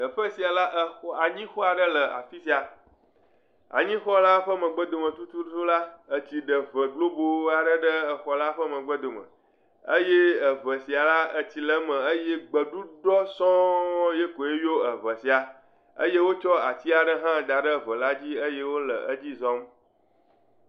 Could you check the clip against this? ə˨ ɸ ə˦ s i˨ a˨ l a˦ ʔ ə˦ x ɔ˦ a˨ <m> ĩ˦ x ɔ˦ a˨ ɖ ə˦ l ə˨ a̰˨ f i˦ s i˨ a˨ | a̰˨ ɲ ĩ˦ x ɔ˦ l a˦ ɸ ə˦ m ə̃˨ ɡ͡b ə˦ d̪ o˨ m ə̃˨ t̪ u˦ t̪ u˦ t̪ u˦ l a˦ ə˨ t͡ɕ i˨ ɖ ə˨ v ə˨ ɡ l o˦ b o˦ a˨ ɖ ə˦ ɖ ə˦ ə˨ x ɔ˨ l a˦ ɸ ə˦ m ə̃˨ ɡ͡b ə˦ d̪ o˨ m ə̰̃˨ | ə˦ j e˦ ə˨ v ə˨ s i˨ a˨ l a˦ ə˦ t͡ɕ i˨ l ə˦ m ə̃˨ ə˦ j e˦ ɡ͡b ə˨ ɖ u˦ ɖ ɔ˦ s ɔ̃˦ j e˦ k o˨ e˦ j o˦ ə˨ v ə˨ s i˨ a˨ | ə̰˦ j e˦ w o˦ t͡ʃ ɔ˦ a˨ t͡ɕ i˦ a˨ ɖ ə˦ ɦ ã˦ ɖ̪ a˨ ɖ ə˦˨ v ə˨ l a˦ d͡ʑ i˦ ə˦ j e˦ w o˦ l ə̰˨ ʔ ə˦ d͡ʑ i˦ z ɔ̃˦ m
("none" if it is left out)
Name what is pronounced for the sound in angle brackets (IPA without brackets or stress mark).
ɲ